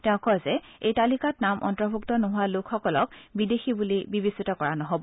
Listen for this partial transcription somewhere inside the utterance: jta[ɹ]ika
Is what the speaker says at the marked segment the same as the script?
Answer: no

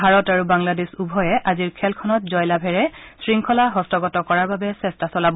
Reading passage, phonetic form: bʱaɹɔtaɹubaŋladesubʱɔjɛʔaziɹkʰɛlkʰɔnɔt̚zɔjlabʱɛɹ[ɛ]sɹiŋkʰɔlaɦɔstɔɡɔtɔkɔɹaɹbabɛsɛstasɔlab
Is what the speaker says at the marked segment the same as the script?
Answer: yes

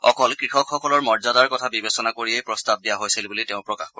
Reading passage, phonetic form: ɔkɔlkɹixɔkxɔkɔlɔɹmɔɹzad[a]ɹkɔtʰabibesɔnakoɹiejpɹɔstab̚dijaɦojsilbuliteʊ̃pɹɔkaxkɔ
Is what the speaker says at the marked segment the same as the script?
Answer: yes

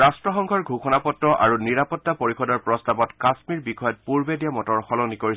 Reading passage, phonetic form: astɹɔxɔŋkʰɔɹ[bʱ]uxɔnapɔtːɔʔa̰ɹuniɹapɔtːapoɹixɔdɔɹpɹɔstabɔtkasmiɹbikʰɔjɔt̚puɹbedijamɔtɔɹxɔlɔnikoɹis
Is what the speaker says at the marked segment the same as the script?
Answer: no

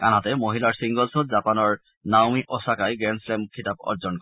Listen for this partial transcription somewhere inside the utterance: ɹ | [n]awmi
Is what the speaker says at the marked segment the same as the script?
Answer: yes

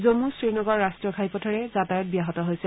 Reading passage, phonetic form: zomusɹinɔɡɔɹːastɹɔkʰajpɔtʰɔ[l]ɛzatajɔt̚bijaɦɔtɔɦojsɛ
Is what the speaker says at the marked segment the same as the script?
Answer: no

